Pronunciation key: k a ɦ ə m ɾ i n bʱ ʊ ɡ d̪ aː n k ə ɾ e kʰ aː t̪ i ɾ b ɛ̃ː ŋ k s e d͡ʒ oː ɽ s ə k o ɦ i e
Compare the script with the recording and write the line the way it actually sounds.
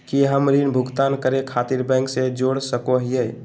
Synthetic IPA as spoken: k i ɦ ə m ɾ i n bʱ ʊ ɡ t̪ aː n k ə ɾ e kʰ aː t̪ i ɾ b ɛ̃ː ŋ k s e d͡ʒ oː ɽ s ə k o ɦ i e